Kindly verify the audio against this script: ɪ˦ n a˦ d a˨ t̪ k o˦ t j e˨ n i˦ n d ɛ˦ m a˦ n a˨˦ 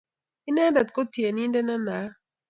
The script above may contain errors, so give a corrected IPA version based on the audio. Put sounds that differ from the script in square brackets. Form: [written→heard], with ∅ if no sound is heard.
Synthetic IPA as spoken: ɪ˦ n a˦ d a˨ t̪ k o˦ t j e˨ n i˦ n d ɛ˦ [m→n] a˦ n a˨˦